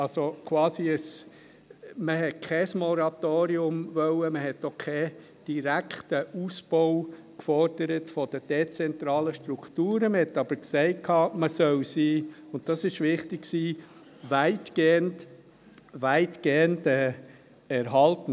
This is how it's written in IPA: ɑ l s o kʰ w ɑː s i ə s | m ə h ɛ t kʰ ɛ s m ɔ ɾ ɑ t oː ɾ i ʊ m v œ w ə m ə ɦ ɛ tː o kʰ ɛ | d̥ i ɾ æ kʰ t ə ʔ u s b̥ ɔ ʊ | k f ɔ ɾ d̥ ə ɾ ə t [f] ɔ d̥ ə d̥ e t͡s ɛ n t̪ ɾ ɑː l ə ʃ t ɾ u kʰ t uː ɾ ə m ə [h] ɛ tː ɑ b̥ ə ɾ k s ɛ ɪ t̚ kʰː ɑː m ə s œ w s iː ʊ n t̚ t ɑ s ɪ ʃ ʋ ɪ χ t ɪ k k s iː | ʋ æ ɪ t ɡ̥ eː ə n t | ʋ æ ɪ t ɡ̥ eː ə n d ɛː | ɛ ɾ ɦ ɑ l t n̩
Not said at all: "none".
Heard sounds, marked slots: f, h

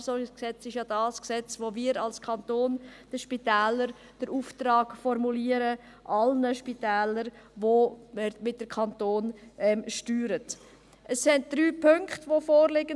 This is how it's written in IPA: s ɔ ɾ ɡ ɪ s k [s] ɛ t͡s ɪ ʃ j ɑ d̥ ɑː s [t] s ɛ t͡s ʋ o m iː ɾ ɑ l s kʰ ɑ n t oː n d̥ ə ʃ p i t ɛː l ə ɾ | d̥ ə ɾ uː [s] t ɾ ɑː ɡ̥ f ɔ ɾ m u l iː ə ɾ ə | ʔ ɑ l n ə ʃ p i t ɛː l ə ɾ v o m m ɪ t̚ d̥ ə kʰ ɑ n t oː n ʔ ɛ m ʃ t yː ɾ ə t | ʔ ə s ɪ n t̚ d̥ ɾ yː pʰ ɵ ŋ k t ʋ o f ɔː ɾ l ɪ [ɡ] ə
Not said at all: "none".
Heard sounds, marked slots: s, k, f, ɡ

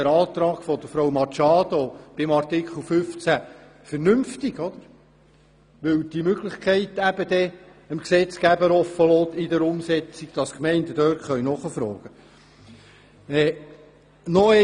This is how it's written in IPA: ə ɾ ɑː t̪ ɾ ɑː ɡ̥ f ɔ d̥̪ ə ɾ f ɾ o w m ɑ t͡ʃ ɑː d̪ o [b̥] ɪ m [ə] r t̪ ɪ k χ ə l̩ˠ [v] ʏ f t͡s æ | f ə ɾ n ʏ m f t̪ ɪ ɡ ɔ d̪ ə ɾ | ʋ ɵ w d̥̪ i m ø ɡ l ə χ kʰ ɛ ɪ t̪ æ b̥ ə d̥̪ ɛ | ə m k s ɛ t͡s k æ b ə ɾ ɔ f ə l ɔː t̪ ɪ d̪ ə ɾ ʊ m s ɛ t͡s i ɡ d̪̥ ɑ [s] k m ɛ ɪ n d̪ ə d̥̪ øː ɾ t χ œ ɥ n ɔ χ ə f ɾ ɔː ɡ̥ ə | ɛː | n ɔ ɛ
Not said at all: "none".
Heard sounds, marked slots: b̥, ɑ, f, s

